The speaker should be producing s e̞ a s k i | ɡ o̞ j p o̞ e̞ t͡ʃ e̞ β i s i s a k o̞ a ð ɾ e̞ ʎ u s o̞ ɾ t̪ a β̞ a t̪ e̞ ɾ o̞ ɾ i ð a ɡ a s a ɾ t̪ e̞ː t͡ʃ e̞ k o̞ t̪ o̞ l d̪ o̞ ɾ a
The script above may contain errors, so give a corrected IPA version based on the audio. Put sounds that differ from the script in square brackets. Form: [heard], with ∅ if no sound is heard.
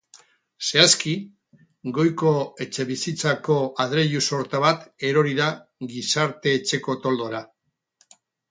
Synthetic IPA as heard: s e̞ a s k i | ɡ o̞ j [k] o̞ e̞ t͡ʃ e̞ β i s i [t͡s] a k o̞ a ð ɾ e̞ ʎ u s o̞ ɾ t̪ a β̞ a t̪ e̞ ɾ o̞ ɾ i ð a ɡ [i] s a ɾ t̪ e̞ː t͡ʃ e̞ k o̞ t̪ o̞ l d̪ o̞ ɾ a